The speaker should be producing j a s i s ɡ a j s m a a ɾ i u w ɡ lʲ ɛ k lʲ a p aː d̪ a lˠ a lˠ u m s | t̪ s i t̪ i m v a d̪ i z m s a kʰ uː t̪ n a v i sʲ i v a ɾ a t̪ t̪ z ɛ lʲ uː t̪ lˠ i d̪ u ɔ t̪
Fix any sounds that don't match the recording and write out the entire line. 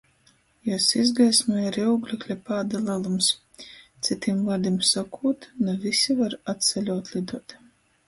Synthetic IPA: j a s i z ɡ a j s m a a ɾ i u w ɡ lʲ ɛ k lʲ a p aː d̪ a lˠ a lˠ u m s | t̪ s i t̪ i m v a d̪ i m s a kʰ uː t̪ n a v i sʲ i v a ɾ a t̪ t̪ s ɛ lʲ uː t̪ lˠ i d̪ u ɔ t̪